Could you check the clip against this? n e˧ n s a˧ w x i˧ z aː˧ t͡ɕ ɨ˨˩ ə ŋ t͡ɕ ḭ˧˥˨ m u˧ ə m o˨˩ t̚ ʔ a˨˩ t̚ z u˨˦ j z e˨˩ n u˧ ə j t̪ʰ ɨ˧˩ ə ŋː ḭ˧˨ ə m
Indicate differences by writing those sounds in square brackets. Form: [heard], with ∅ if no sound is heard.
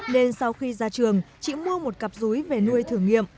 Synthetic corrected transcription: n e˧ n s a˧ w x i˧ z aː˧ t͡ɕ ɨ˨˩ ə ŋ t͡ɕ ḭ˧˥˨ m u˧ ə m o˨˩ t̚ [k] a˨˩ [p̚] z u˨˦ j [v] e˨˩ n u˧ ə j t̪ʰ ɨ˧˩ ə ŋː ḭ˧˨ ə m